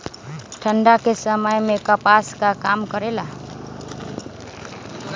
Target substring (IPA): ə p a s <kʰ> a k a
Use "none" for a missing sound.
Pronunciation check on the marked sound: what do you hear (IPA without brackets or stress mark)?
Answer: k